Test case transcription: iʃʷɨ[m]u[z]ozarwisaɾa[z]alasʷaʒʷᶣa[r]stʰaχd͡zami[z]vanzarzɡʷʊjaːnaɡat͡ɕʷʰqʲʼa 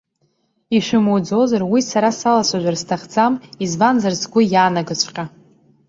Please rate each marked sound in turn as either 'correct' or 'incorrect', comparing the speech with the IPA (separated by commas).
correct, incorrect, incorrect, correct, correct